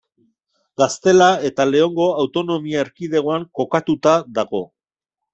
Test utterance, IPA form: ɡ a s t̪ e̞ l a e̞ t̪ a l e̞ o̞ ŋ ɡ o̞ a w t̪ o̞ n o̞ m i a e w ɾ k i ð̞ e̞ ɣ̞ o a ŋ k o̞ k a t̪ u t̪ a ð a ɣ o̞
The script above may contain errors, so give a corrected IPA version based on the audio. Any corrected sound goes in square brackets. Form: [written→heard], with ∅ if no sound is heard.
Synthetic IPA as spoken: ɡ a s t̪ e̞ l a e̞ t̪ a l e̞ o̞ ŋ ɡ o̞ a w t̪ o̞ n o̞ m i a e [w→∅] ɾ k i ð̞ e̞ ɣ̞ o a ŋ k o̞ k a t̪ u t̪ a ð a ɣ o̞